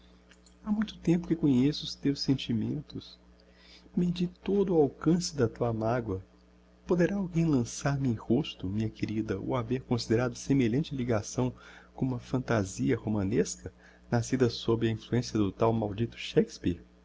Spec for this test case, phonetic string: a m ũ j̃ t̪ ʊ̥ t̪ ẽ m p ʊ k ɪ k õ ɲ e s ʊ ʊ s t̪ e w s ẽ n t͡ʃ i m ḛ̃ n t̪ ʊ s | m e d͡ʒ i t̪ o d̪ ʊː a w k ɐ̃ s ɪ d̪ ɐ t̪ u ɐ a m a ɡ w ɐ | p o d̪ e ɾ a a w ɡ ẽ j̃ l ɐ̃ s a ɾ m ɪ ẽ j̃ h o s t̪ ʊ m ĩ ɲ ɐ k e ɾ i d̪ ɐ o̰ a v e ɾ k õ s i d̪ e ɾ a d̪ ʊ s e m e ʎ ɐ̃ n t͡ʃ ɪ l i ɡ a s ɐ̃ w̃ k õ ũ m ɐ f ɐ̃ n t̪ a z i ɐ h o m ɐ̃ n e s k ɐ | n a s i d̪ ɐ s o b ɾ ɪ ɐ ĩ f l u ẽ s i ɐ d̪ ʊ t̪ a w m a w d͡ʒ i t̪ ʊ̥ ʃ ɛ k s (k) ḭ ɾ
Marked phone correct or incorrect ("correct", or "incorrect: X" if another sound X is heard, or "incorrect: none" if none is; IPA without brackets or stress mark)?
incorrect: p